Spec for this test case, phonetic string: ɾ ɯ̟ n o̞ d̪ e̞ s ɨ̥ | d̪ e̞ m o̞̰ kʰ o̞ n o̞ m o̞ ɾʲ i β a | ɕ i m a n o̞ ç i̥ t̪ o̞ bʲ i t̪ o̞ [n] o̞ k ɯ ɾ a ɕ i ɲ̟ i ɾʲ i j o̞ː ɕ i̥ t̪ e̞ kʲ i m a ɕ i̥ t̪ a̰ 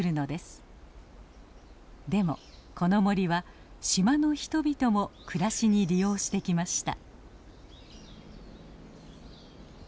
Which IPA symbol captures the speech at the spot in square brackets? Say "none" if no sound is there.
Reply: m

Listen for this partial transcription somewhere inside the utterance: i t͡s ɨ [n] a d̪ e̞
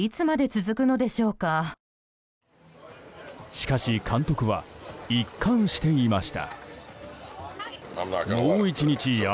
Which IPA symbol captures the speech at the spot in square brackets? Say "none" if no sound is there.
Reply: m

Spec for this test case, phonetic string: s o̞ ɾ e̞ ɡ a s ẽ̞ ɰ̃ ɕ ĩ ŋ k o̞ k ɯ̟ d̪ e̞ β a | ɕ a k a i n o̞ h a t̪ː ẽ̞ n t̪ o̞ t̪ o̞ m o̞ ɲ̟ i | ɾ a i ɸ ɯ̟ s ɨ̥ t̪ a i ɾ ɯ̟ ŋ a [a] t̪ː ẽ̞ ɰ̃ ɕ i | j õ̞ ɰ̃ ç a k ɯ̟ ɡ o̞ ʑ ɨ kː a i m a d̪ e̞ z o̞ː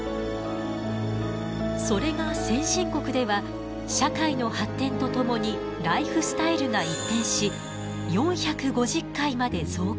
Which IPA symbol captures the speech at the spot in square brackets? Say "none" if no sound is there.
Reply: i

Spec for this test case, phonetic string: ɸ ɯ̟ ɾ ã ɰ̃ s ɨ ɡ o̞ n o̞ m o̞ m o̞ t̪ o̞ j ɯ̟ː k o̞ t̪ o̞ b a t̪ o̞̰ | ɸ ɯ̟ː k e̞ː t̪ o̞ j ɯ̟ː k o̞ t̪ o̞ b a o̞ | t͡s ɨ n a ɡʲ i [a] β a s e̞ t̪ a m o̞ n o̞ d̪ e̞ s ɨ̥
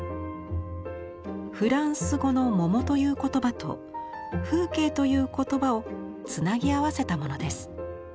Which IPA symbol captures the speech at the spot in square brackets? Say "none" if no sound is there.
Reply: a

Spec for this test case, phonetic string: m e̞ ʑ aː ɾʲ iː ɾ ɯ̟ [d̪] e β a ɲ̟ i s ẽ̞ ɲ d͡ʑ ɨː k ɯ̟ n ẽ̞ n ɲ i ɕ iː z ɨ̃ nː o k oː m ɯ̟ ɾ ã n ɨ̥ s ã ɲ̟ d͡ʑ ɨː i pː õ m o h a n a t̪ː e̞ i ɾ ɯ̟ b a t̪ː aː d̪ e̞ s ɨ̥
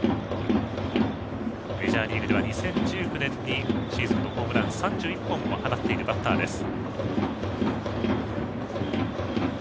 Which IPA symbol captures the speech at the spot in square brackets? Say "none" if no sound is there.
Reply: d̪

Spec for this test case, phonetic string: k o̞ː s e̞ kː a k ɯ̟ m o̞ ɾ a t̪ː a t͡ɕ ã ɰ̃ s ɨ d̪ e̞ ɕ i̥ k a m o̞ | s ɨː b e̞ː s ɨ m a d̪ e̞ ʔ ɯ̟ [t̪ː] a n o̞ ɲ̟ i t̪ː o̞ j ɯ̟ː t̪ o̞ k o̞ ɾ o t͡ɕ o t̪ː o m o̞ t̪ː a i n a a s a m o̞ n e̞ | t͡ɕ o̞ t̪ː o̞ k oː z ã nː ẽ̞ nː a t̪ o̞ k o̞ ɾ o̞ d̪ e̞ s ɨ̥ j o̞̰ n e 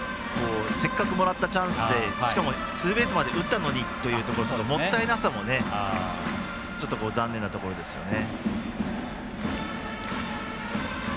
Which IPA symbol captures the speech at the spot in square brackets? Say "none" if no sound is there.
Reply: t̪ː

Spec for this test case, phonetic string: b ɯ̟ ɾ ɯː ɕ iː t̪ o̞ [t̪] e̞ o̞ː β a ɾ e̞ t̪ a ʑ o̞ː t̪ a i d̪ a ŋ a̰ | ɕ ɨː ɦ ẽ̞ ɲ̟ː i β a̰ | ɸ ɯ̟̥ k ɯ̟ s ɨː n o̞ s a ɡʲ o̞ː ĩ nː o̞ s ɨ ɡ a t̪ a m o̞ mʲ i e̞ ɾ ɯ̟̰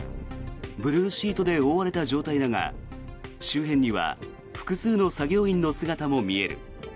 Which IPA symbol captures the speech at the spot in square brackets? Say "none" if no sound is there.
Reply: d̪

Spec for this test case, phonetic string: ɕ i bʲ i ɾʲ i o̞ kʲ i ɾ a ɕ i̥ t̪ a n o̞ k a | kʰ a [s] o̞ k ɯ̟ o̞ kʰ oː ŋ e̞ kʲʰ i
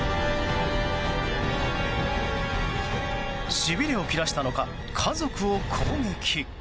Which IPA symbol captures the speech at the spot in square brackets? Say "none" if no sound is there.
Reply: z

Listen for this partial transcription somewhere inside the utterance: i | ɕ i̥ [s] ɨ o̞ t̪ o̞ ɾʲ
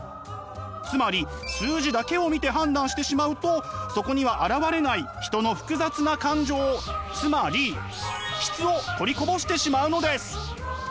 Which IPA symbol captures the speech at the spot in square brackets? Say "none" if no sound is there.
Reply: t͡s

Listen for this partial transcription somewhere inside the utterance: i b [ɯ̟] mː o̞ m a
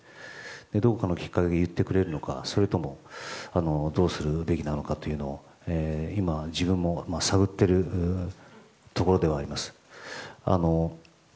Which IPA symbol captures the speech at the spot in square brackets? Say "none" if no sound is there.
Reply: ɯ̟̃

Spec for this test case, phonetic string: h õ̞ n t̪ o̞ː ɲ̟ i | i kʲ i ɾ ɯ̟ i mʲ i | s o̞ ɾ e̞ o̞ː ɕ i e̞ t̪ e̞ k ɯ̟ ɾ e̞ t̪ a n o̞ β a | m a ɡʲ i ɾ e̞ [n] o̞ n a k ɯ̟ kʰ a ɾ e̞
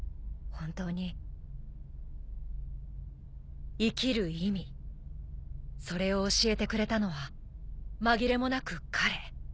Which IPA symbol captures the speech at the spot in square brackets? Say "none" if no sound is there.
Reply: m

